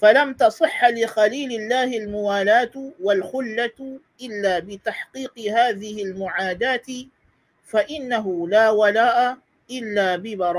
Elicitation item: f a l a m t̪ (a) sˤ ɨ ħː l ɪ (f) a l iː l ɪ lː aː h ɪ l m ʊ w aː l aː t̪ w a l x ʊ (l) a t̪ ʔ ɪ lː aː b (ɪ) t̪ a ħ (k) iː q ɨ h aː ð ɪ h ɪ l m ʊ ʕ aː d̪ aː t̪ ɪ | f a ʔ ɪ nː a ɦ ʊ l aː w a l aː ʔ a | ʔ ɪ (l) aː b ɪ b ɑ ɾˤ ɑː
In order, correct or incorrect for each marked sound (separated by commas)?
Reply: incorrect, incorrect, incorrect, correct, incorrect, incorrect